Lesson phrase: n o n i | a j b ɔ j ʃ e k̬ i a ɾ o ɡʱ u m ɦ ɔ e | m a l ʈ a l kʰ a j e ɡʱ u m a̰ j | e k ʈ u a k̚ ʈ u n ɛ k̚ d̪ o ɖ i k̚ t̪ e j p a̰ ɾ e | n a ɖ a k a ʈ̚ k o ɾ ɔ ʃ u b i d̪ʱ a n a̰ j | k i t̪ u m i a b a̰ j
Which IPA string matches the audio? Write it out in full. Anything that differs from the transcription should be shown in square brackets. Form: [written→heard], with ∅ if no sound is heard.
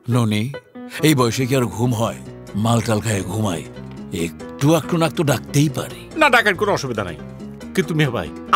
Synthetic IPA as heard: n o n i | [a→e] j b ɔ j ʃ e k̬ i a ɾ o ɡʱ u m ɦ ɔ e | m a l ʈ a l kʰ a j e ɡʱ u m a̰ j | e k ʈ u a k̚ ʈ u n [ɛ→a] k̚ [d̪→t̪] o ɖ [i→a] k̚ t̪ e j p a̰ ɾ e | n a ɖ a k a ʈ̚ k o ɾ ɔ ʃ u b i d̪ʱ a n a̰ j | k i t̪ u m i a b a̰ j